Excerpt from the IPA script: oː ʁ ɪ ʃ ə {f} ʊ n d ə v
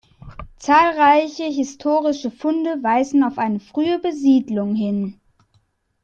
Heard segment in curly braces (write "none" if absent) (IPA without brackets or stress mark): f